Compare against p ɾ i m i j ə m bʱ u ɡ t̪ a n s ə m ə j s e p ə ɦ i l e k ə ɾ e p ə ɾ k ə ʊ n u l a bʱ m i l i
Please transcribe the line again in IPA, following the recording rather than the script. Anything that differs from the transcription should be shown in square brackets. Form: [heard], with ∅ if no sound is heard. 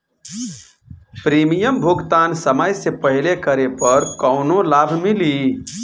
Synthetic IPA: p ɾ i m i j ə m bʱ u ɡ t̪ a n s ə m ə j s e p ə ɦ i l e k ə ɾ e p ə ɾ k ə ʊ n [o] l a bʱ m i l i